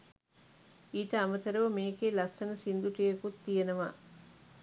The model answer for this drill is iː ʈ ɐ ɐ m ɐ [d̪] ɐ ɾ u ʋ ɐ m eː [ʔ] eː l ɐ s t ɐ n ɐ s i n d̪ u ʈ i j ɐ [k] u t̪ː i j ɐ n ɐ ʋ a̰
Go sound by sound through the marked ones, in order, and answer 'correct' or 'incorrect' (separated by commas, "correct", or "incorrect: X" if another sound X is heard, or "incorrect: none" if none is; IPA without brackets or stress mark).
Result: incorrect: t̪, incorrect: k, correct